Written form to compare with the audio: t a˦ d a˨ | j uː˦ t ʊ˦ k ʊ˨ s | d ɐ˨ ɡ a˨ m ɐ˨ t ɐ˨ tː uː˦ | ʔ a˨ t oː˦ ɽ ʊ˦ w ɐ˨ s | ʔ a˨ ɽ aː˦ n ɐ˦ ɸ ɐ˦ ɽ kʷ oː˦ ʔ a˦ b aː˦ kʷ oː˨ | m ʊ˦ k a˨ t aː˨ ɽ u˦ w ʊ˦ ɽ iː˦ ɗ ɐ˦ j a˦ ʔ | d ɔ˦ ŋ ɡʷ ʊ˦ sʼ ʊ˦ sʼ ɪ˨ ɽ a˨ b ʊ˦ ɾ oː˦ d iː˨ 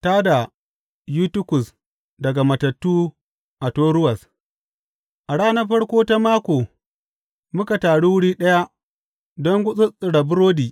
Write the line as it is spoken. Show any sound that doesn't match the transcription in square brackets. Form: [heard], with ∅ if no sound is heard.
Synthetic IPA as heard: t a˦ d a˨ | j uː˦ t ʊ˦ k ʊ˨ s | d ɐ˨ ɡ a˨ m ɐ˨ t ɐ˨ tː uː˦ | ʔ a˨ t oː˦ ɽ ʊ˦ w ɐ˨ s | ʔ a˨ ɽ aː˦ n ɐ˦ ɸ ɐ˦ ɽ kʷ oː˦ [t] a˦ [m] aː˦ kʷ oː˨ | m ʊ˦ k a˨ t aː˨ ɽ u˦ w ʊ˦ ɽ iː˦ ɗ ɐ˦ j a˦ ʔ | d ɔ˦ ŋ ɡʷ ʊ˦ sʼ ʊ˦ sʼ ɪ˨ ɽ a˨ b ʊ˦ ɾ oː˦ d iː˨